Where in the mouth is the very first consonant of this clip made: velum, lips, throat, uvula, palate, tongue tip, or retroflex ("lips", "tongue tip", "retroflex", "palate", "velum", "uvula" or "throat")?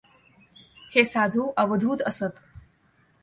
throat